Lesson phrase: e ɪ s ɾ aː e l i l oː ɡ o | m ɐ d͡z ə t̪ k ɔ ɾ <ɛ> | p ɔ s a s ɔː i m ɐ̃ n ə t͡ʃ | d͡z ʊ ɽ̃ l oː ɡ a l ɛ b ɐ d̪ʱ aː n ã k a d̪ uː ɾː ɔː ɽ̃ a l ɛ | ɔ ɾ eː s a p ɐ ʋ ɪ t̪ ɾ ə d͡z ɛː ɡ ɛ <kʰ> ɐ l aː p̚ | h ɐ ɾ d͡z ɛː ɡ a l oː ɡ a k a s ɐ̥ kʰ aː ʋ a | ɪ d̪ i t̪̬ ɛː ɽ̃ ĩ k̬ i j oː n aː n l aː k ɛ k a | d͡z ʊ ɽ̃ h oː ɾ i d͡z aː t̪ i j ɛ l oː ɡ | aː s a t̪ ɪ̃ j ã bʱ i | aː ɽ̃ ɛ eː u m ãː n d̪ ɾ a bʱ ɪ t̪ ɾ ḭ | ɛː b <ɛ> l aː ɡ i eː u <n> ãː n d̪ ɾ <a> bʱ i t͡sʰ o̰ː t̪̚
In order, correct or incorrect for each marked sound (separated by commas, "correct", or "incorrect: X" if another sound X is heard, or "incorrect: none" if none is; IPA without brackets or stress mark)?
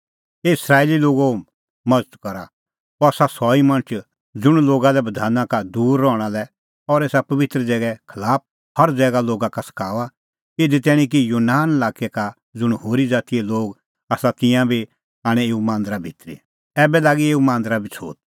incorrect: a, correct, correct, incorrect: m, correct